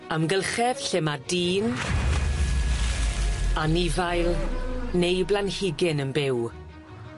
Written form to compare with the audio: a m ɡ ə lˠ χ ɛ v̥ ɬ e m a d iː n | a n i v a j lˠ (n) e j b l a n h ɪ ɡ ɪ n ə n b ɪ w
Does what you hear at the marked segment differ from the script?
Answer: no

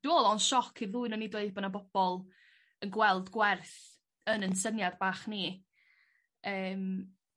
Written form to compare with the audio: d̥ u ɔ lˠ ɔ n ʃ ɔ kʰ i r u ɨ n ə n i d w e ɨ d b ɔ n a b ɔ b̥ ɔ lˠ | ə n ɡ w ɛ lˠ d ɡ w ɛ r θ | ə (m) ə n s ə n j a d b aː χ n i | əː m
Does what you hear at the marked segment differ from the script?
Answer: yes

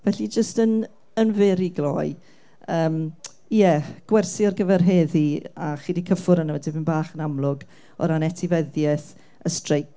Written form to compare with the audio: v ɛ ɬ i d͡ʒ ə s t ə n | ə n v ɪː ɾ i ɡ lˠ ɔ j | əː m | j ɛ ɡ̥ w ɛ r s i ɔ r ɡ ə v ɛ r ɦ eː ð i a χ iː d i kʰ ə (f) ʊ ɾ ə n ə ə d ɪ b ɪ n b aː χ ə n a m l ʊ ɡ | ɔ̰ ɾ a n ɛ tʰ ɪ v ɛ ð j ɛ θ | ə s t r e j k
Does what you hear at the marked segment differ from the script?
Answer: no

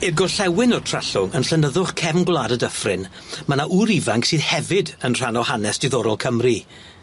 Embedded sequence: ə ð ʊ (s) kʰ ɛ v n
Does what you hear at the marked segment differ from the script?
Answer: yes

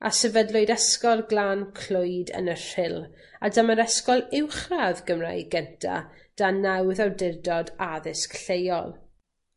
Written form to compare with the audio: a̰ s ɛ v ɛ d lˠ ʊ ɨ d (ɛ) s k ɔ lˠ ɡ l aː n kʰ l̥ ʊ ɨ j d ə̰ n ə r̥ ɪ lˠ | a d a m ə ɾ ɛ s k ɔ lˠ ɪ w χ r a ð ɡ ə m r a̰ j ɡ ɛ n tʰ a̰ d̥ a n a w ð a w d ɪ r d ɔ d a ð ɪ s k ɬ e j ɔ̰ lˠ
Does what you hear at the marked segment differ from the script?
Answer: no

